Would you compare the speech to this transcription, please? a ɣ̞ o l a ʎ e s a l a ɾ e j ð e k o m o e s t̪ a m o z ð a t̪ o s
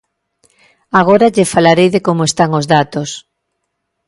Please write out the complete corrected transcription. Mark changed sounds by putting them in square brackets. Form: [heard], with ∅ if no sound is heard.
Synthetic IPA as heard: a ɣ̞ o [ɾ] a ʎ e [f] a l a ɾ e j ð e k o m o e s t̪ a [ŋ] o z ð a t̪ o s